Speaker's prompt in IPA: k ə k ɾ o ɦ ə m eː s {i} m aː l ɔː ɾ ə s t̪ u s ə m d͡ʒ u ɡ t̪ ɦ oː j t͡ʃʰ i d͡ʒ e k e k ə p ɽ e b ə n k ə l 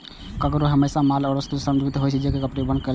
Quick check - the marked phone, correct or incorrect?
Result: incorrect